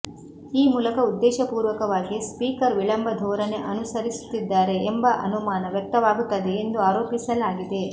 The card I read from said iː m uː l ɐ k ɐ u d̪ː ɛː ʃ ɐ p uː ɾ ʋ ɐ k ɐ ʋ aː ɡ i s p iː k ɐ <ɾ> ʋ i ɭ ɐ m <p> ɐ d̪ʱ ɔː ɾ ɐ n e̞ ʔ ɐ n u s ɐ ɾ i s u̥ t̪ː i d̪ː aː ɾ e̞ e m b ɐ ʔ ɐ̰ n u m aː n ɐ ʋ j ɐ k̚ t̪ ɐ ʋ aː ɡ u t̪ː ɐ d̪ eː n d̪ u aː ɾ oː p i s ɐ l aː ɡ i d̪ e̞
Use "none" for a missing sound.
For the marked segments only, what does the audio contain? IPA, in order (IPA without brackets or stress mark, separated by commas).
ɾ, b